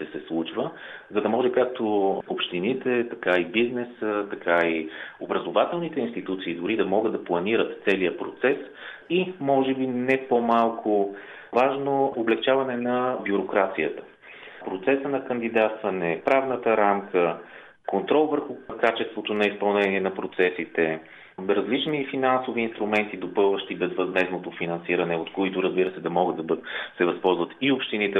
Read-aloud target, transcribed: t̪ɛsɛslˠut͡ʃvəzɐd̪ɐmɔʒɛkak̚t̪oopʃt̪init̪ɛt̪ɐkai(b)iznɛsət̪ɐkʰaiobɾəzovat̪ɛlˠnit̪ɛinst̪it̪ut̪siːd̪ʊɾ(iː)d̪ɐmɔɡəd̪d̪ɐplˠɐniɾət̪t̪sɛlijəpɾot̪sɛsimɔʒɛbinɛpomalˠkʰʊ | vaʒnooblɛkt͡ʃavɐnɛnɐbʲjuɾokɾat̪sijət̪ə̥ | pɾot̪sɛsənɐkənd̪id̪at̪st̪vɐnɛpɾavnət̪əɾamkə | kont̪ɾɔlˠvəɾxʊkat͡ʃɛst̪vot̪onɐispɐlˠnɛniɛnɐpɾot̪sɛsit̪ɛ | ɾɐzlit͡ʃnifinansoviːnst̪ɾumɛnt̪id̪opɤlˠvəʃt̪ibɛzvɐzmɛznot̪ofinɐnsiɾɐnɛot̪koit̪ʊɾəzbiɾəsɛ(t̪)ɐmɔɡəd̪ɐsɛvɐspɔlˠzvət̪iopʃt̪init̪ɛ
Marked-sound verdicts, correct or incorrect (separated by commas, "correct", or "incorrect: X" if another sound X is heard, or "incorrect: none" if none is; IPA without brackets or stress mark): correct, incorrect: i, incorrect: d̪